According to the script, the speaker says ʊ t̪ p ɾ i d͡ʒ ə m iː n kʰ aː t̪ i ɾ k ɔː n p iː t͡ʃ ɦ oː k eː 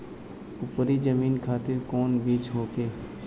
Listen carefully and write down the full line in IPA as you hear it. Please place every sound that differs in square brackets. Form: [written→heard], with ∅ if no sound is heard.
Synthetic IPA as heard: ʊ [t̪→∅] p ɾ i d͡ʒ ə m iː n kʰ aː t̪ [i→ɪ] ɾ k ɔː n [p→b] iː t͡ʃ ɦ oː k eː